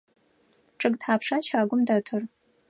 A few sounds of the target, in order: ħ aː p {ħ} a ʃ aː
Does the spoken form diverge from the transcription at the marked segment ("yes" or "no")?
yes